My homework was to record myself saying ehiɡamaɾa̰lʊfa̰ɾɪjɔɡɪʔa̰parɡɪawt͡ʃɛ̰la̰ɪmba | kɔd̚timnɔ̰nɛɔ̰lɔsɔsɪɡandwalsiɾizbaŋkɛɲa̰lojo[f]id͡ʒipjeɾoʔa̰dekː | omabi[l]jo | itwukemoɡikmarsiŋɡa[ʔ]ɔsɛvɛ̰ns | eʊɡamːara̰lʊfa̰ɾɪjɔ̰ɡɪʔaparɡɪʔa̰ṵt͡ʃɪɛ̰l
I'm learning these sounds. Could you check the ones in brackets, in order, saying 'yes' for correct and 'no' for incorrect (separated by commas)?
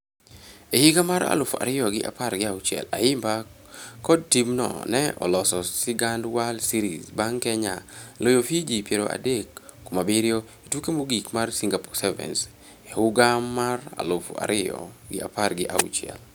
yes, no, no